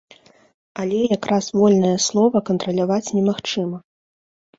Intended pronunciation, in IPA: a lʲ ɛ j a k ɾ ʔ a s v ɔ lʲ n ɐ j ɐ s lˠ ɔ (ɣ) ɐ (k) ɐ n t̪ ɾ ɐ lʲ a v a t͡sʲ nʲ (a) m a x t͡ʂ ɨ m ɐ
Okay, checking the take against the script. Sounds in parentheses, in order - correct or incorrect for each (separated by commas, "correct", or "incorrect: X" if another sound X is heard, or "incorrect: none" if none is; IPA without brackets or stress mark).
incorrect: v, correct, incorrect: ɛ